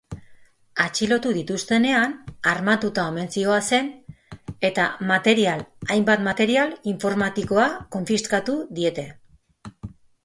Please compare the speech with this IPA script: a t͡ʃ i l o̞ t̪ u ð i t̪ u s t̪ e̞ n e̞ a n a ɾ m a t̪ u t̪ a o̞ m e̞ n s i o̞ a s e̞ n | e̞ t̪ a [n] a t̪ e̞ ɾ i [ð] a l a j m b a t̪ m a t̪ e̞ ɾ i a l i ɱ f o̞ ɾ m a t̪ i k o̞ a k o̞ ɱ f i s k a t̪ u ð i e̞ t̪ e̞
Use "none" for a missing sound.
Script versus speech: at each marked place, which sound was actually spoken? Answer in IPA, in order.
m, none

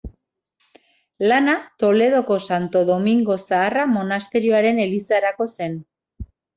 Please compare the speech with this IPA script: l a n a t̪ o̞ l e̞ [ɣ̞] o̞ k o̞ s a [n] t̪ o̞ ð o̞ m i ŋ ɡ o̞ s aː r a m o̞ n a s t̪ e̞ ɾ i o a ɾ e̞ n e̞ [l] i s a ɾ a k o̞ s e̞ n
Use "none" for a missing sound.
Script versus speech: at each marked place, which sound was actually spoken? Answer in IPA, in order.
ð̞, n, l

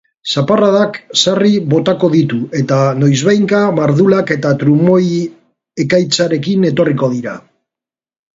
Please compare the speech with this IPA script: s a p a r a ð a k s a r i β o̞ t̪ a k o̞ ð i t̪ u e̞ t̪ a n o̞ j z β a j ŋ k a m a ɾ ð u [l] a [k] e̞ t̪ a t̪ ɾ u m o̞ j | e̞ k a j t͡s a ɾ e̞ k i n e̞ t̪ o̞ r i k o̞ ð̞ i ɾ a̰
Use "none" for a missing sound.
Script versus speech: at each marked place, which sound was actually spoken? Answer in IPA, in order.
l, k

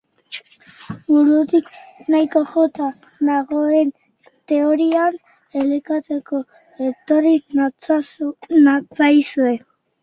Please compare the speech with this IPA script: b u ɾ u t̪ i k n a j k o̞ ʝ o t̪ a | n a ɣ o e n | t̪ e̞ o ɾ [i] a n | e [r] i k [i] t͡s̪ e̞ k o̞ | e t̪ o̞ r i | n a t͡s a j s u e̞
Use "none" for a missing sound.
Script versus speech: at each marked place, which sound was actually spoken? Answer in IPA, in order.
i, l, a

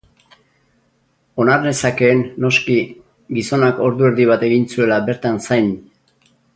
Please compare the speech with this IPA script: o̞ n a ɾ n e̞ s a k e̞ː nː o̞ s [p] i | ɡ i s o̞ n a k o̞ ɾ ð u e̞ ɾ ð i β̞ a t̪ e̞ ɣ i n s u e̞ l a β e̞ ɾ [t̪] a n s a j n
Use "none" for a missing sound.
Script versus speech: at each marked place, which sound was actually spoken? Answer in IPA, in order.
k, t̪

